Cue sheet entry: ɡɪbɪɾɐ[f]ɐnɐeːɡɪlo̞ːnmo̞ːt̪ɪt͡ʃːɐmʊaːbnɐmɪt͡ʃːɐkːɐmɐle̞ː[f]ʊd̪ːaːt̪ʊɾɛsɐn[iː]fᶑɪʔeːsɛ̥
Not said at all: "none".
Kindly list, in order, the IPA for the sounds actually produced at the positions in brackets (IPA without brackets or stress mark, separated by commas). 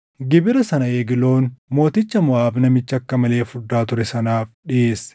s, f, aː